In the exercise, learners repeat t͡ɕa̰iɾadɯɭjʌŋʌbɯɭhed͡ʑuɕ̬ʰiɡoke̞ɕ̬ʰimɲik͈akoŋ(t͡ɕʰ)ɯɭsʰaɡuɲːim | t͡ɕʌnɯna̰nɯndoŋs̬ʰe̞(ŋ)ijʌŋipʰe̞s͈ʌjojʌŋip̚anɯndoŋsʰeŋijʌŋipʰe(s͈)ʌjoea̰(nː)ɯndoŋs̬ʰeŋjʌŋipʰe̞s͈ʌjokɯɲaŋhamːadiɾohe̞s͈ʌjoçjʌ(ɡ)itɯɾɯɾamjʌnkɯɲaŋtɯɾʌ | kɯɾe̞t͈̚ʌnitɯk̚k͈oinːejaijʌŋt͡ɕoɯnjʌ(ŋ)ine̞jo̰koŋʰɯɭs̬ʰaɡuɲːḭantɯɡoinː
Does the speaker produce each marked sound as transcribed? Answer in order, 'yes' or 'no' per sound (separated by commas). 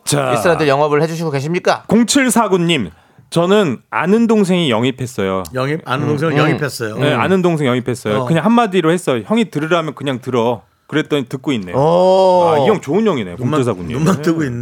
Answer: yes, yes, yes, no, no, yes